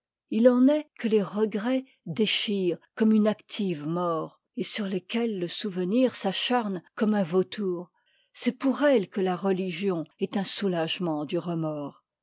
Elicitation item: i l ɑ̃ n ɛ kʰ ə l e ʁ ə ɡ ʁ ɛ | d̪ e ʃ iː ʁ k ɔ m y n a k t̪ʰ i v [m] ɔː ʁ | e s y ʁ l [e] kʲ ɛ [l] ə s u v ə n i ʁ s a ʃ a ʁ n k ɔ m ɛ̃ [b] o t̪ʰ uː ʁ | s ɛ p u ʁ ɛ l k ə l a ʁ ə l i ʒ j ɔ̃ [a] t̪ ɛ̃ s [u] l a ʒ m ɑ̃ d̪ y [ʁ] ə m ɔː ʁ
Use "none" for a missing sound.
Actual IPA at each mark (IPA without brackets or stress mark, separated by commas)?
m, e, lː, v, ɛ, u, ʁ